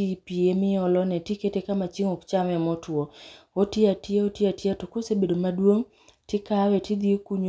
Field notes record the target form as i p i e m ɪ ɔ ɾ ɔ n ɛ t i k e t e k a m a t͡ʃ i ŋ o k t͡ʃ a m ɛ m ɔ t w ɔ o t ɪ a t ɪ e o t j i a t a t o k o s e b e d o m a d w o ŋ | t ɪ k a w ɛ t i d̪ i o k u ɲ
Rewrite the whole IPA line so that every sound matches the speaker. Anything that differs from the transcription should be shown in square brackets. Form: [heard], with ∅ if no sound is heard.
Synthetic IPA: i p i e m ɪ ɔ [l] ɔ n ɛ t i k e t e k a m a t͡ʃ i ŋ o k t͡ʃ a m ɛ m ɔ t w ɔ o t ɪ a t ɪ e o t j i a t a t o k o s e b e d o m a d w o ŋ | t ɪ k a w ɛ t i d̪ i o k u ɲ